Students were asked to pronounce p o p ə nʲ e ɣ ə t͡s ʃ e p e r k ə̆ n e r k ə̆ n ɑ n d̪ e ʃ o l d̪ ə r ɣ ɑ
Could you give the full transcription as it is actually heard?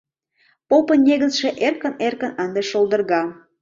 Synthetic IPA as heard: p o p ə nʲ e ɣ ə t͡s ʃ e ʔ e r k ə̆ n e r k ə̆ n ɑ n d̪ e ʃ o l d̪ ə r ɣ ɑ